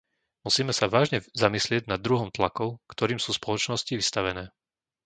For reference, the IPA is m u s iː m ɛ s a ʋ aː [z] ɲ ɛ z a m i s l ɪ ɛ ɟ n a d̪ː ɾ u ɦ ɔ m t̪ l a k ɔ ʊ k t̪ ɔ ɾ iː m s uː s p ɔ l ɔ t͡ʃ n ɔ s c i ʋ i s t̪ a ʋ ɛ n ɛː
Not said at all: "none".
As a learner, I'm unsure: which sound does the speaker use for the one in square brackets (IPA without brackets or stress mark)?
ʒ